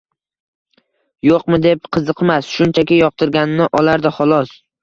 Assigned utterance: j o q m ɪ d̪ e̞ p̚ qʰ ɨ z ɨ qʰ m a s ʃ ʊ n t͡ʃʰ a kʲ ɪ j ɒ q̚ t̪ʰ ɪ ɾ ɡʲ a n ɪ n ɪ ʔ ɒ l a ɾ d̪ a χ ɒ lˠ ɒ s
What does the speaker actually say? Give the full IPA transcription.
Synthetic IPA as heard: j o q m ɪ d̪ e̞ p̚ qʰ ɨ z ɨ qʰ m a s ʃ ʊ n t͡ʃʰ a kʲ ɪ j ɒ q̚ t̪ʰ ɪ ɾ ɡʲ a n ɪ n ɪ ʔ ɒ l a ɾ d̪ a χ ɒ lˠ ɒ s